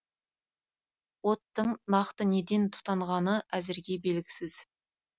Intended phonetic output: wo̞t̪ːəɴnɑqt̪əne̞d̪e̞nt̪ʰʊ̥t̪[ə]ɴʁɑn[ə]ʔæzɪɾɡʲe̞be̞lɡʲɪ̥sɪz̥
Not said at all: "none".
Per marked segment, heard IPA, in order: ɑ, ə

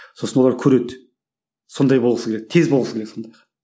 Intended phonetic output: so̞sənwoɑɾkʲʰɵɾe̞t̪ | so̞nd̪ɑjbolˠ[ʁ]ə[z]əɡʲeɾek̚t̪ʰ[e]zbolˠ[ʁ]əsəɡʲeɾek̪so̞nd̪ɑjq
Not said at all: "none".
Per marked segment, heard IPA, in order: ʁ, s, e, ʁ

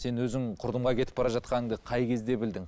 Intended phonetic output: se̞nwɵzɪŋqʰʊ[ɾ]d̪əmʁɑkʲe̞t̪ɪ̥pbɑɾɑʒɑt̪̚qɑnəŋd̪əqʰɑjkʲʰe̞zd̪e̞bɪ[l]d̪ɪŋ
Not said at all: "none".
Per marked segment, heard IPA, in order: ɾ, l

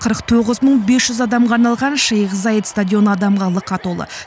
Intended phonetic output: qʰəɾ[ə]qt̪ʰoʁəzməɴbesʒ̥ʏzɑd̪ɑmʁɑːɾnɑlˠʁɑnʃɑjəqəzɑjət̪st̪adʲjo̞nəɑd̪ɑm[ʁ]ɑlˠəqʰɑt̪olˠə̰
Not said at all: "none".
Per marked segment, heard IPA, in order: ə, ʁ

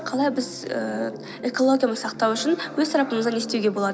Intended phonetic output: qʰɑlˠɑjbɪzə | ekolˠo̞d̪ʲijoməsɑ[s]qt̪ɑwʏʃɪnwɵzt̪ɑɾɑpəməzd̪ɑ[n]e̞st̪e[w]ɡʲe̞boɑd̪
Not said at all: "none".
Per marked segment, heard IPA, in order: none, n, w

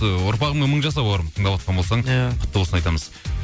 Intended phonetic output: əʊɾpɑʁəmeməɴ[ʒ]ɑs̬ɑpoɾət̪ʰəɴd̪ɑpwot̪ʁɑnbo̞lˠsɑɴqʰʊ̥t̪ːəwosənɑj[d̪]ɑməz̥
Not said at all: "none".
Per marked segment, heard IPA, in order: ʒ, t̪

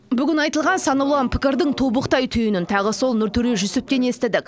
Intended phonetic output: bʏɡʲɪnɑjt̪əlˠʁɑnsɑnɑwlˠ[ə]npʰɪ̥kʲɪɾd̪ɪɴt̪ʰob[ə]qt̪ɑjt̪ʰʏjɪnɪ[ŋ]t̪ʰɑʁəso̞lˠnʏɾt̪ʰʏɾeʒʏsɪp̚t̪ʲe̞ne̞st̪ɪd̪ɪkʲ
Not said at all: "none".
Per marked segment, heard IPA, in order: ɑ, ə, n

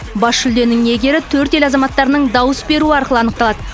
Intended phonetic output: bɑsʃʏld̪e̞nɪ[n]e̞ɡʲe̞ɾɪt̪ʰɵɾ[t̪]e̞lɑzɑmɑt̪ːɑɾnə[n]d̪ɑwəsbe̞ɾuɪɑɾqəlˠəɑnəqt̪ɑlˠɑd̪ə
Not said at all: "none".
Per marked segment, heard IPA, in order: ŋ, t̪, ɴ

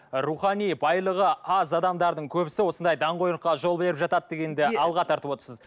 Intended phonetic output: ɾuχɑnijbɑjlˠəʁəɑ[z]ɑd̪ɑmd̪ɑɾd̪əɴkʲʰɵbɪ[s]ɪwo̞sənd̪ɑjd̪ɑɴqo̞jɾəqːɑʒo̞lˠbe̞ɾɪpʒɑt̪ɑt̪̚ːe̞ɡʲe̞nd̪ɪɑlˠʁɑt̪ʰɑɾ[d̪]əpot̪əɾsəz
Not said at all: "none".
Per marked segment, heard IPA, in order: z, s, t̪

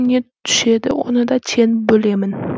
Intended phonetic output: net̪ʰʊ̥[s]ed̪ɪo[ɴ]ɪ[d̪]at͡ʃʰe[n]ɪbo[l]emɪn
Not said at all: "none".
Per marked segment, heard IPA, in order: ʃ, n, d̪, n, l

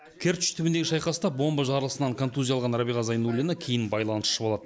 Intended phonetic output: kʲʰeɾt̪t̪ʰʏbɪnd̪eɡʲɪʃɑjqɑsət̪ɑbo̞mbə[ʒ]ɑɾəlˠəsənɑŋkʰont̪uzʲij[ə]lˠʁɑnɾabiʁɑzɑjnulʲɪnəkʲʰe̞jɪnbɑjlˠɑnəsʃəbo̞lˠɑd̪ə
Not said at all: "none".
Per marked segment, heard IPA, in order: ʒ, ɑ

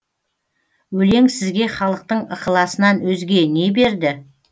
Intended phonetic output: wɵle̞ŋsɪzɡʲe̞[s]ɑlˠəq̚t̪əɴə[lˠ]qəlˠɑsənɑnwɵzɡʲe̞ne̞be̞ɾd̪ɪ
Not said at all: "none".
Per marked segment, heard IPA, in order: χ, none

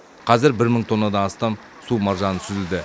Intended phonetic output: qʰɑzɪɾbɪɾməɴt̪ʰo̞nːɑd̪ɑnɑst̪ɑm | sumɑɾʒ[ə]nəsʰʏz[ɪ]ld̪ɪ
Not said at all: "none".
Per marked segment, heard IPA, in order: ɑ, ɪ

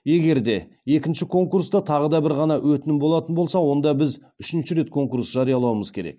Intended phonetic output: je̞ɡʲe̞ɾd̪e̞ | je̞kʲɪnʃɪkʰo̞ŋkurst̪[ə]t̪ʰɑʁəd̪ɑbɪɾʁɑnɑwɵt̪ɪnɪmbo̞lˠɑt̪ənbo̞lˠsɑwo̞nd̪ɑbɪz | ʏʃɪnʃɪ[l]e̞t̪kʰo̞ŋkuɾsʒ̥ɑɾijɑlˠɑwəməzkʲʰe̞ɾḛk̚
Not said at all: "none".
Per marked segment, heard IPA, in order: ɑ, ɾ

